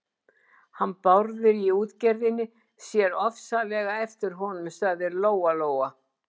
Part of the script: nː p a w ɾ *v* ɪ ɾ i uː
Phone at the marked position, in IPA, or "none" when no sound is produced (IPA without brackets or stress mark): ð